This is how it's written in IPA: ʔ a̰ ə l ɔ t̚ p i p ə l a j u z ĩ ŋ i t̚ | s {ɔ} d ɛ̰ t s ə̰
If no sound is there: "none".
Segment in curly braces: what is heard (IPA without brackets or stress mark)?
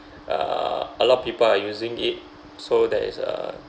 o